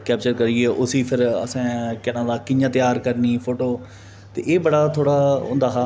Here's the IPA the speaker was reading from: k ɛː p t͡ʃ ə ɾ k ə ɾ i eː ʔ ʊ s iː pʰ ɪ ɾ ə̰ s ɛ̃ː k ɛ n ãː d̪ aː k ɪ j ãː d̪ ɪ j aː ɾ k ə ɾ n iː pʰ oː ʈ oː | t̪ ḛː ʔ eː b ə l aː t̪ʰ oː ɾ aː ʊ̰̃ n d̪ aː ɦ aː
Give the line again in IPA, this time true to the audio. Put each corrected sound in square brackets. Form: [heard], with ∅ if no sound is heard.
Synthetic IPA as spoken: k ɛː p t͡ʃ ə ɾ k ə ɾ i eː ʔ ʊ s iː pʰ ɪ ɾ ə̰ s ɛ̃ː k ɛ n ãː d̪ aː k ɪ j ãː [t̪] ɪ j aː ɾ k ə ɾ n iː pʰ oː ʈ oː | t̪ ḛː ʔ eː b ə [ɽ] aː t̪ʰ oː [ɽ] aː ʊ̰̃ n d̪ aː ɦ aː